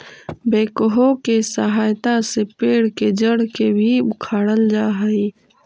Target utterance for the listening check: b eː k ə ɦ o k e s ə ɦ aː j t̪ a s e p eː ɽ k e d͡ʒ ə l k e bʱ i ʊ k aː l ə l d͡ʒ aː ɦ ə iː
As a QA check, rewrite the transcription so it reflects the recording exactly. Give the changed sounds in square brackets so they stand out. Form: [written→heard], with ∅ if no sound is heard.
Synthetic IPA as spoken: b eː k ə ɦ o k e s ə ɦ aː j t̪ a s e p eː ɽ k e d͡ʒ ə [l→ɽ] k e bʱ i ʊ [k→kʰ] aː [l→ɽ] ə l d͡ʒ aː ɦ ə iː